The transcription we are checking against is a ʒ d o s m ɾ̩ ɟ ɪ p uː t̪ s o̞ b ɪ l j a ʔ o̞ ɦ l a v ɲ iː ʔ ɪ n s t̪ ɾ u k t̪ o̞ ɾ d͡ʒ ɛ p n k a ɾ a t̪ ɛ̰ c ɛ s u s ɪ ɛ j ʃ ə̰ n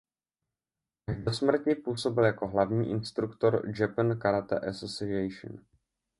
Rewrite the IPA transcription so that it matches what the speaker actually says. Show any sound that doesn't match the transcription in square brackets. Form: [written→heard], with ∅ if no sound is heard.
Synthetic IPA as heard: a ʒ d o s m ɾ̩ [ɟ→c] ɪ p uː [t̪→∅] s o̞ b ɪ l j a [ʔ→k] o̞ ɦ l a v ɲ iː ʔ ɪ n s t̪ ɾ u k t̪ o̞ ɾ d͡ʒ ɛ p n k a ɾ a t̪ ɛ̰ [c→ʔ] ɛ s [u→o] s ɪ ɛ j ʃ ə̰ n